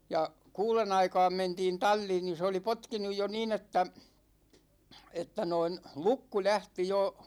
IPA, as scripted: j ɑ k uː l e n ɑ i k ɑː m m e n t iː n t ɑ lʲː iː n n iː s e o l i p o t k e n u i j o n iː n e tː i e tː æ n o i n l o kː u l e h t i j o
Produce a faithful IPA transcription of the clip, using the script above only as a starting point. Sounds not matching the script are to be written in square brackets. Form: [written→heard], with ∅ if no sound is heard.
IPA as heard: j ɑ k uː l e n ɑ i k ɑː m m e n t iː n t ɑ lʲː iː n n [iː→i] s e o l i p o t k [e→i] n u [i→j] j o n iː n e tː [i→æ] e tː æ n o i n l [o→u] kː u l [e→æ] h t i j o